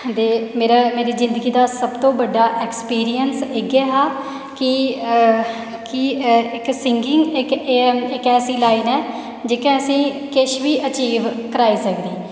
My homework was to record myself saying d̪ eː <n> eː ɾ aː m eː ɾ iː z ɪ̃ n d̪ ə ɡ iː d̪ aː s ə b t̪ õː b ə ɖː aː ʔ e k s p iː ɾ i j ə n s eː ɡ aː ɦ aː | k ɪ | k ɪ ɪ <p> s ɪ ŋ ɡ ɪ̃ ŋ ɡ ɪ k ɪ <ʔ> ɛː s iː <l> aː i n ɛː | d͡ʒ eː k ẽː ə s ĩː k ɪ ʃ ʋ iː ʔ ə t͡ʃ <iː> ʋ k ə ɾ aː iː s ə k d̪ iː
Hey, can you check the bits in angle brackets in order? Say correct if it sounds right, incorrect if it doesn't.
incorrect, incorrect, incorrect, correct, correct

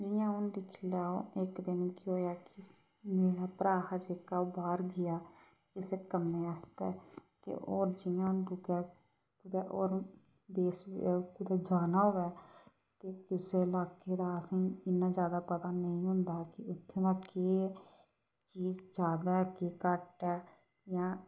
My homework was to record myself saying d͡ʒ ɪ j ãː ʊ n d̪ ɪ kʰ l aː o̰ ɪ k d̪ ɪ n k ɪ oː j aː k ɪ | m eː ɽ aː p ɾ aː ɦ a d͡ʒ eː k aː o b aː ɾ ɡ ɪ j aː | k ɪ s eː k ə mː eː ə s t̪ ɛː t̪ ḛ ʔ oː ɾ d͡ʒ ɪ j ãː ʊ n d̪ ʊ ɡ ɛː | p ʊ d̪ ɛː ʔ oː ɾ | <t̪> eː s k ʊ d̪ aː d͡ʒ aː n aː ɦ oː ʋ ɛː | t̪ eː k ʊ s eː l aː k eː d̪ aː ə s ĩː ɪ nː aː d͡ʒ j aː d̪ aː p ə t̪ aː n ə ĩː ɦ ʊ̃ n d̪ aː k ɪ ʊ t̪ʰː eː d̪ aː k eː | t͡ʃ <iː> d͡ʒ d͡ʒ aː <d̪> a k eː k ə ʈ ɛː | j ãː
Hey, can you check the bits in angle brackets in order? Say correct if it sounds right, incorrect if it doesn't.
incorrect, correct, correct

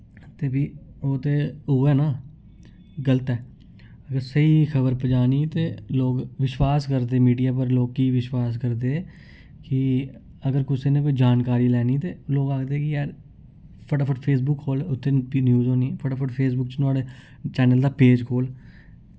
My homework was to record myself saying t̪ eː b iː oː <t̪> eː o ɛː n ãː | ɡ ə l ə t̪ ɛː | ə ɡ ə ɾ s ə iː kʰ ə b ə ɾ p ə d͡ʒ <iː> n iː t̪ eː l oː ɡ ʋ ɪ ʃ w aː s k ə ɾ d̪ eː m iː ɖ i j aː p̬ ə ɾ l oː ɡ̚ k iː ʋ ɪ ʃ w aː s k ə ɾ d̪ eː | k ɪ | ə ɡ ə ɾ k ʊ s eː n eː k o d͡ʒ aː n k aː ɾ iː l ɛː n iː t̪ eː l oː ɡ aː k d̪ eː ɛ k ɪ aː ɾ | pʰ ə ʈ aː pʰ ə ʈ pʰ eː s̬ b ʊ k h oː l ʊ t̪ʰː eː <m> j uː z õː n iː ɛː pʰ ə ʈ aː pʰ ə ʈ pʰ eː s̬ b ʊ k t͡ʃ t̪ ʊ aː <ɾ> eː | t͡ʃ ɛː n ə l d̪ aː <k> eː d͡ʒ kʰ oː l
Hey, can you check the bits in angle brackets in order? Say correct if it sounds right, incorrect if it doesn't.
correct, incorrect, incorrect, incorrect, incorrect

